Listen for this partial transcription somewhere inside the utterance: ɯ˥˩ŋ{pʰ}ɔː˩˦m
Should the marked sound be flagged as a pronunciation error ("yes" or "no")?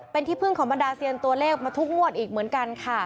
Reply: yes